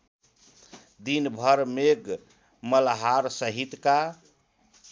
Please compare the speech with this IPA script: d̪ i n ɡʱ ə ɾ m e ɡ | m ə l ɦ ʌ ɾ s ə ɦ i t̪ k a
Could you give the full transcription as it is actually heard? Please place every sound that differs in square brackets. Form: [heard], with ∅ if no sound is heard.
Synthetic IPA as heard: d̪ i n [bʱ] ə ɾ m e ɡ | m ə l ɦ [a] ɾ s ə ɦ i t̪ k a

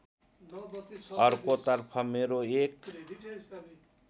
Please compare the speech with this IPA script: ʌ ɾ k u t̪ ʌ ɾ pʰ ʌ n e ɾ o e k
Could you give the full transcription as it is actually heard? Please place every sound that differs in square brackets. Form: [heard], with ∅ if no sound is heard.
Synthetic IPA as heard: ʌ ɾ k [o] t̪ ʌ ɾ pʰ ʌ [m] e ɾ o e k

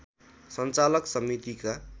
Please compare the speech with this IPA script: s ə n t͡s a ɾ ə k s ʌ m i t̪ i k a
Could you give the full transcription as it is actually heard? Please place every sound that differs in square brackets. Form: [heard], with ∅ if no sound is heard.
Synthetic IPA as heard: s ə n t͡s a [l] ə k s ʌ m i t̪ i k a

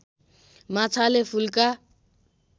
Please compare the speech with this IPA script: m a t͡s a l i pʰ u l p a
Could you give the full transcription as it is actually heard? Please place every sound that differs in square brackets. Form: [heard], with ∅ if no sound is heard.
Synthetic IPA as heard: m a [t͡sʰ] a l [e] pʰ u l [k] a

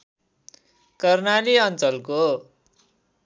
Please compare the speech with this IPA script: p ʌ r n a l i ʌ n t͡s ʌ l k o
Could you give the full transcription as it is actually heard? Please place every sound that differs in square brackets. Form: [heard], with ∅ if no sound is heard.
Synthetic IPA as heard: [k] ʌ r n a l i ʌ n t͡s ʌ l k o

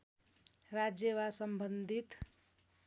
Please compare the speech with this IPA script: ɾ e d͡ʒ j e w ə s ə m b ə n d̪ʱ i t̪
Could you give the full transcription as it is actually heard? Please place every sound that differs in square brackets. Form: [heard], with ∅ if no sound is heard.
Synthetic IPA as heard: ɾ [a] d͡ʒ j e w [a] s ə m b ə n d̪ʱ i t̪

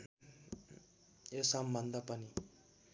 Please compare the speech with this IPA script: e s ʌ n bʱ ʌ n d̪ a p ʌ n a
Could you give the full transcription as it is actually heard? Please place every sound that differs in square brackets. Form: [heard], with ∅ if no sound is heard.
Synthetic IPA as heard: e s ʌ [m] bʱ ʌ n d̪ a p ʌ n [i]

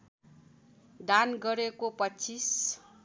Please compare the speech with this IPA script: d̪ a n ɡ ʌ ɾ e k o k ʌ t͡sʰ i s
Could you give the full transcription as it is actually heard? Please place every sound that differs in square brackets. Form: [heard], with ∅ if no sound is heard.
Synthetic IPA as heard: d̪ a n ɡ ʌ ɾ e k o [p] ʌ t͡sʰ i s

